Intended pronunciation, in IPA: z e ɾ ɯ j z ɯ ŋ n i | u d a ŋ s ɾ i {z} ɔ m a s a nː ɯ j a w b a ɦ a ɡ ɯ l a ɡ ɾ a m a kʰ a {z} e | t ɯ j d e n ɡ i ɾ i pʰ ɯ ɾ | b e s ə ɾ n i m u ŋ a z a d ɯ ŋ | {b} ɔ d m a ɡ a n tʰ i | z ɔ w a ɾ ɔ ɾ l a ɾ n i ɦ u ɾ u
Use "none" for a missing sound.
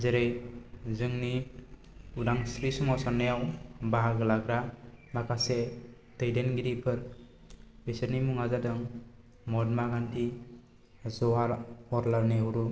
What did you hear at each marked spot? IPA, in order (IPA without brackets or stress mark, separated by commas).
s, s, m